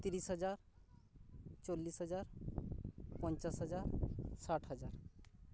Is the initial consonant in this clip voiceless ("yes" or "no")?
yes